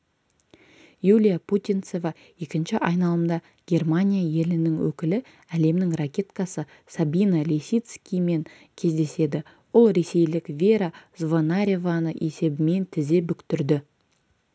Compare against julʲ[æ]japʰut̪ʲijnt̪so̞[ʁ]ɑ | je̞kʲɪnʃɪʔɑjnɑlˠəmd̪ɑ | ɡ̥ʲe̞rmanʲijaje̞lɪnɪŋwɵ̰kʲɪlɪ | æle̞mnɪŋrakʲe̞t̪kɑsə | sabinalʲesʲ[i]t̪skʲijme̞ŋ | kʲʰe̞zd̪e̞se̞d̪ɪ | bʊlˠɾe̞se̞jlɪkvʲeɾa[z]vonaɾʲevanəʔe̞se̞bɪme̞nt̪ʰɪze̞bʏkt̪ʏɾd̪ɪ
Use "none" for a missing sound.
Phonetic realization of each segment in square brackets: i, v, i, z

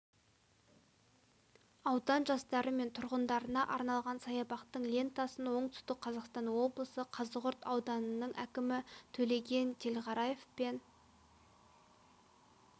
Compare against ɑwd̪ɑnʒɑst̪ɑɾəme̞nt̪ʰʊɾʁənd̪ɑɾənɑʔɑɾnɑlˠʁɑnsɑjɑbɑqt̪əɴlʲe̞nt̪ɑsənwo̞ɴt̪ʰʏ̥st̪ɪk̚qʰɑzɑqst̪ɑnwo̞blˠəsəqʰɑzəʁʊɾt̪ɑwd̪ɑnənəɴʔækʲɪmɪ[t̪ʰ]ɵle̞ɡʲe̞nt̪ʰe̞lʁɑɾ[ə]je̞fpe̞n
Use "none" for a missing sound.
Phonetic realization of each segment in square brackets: t̪ʰ, ɑ

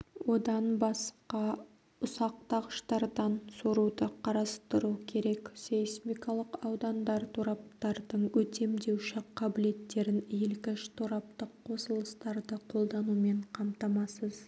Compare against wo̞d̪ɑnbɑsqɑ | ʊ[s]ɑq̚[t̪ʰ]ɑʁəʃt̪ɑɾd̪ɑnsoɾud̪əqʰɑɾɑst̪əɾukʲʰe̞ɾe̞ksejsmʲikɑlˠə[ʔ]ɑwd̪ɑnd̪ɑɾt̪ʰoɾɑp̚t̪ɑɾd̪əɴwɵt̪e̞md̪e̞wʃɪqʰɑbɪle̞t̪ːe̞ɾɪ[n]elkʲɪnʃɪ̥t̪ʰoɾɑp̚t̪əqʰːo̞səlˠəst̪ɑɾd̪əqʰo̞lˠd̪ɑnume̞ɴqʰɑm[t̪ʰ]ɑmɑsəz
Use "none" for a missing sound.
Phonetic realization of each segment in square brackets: s, t̪, q, n, t̪

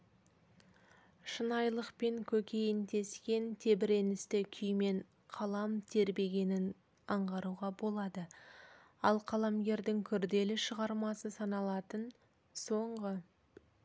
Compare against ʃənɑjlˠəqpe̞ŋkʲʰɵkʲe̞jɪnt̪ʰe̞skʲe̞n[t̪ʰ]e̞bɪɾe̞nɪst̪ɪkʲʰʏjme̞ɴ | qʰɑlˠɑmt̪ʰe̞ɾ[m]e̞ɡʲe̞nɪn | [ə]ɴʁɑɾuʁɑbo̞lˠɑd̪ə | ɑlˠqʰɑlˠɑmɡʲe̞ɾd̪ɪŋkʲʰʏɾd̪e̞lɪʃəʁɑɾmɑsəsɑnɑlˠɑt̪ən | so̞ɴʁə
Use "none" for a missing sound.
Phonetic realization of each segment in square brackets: t̪ʰ, b, ɑ

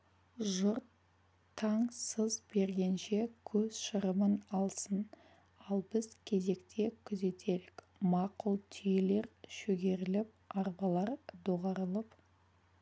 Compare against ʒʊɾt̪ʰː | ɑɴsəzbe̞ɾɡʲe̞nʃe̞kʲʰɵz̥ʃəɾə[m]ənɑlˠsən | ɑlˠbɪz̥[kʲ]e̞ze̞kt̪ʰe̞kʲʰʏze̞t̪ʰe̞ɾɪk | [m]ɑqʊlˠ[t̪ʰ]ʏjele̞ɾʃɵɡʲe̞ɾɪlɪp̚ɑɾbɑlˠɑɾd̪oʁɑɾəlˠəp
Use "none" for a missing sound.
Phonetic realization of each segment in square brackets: m, kʲʰ, m, t̪ʰ

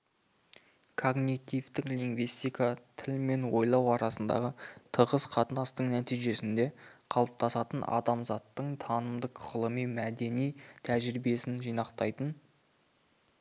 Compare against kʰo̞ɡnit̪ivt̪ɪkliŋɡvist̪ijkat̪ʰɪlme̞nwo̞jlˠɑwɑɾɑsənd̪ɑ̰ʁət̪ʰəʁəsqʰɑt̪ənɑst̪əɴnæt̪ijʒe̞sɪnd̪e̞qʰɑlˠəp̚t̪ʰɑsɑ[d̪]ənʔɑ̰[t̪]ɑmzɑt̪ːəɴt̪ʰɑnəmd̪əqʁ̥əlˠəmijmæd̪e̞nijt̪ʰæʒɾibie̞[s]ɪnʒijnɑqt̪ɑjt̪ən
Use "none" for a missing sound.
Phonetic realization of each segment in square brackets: t̪, d̪, s

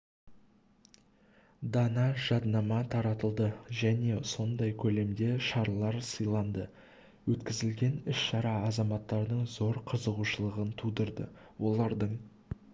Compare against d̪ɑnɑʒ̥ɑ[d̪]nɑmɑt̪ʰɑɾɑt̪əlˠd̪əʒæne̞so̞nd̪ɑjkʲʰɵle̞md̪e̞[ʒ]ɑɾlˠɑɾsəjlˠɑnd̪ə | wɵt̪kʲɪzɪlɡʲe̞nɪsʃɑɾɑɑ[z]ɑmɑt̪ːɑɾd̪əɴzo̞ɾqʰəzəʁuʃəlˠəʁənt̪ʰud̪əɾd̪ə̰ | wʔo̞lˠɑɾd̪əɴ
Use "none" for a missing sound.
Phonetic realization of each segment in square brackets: d̪, ʃ, z

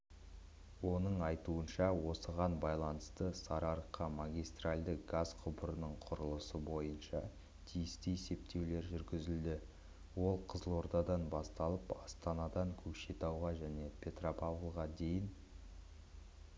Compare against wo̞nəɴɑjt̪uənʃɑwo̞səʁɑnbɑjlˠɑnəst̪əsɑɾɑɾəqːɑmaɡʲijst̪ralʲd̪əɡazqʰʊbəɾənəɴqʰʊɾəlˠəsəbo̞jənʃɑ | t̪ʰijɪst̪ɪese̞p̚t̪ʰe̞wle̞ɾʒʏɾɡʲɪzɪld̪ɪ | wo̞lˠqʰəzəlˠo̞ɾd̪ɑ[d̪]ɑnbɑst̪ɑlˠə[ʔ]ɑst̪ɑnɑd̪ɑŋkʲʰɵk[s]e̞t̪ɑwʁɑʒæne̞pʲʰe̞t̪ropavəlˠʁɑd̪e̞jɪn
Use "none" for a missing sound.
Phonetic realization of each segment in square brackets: d̪, p, ʃ

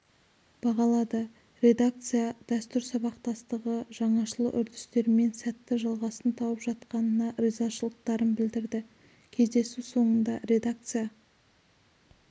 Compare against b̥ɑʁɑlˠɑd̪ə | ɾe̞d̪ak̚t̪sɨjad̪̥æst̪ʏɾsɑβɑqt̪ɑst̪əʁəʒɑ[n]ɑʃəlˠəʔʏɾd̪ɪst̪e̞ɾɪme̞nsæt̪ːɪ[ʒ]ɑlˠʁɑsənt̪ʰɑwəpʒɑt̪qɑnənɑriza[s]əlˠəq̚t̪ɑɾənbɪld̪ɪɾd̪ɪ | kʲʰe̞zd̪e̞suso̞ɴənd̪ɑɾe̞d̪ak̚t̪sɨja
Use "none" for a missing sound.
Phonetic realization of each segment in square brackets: ɴ, ʒ, ʃ

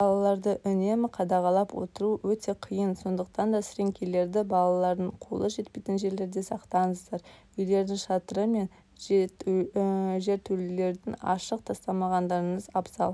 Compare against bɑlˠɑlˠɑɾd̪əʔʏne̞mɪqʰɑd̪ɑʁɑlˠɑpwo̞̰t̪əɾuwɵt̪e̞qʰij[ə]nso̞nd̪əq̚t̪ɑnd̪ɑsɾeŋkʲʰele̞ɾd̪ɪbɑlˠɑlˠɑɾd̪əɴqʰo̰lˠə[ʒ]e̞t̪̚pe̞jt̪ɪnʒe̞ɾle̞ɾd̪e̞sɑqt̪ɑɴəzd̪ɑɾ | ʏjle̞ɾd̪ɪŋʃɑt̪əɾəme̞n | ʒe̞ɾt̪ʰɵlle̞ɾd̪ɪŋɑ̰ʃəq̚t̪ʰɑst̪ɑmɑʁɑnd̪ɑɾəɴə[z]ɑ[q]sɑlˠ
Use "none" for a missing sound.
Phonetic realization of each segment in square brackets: ə, ʒ, z, p

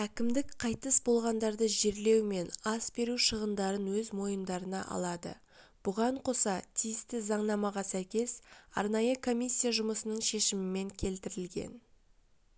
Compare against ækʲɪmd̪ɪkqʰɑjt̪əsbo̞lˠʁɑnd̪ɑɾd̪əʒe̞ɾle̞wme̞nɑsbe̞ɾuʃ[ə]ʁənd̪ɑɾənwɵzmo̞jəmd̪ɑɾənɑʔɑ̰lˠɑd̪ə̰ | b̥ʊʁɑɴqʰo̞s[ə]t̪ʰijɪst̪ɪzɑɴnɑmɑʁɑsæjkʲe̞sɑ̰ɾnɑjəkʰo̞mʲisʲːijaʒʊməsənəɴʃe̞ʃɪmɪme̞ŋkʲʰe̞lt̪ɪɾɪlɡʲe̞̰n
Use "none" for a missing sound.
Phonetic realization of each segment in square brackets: ə, ɑ

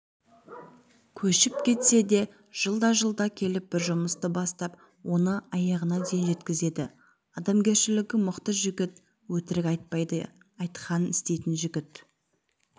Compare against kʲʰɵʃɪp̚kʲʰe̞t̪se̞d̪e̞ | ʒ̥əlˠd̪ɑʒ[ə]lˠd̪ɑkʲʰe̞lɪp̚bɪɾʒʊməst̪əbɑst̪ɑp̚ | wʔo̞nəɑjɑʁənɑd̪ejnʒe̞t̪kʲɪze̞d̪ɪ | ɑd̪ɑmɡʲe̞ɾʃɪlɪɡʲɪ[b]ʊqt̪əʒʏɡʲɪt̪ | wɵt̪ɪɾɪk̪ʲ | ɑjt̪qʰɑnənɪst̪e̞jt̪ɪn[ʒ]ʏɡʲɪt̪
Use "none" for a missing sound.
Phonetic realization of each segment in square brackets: ə, m, ʒ

